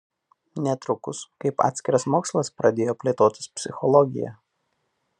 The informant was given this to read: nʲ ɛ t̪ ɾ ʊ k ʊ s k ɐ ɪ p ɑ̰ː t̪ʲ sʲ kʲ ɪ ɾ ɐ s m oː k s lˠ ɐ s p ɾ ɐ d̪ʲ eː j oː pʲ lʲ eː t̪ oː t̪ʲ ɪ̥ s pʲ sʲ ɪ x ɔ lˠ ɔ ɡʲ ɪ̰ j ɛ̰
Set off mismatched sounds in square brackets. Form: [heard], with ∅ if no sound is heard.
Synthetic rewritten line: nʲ ɛ t̪ ɾ ʊ k ʊ s k ɐ ɪ p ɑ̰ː t̪ʲ sʲ kʲ ɪ ɾ ɐ s m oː k s lˠ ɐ s p ɾ ɐ d̪ʲ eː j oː pʲ lʲ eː t̪ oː t̪ʲ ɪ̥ s pʲ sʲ ɪ x ɔ lˠ ɔ ɡʲ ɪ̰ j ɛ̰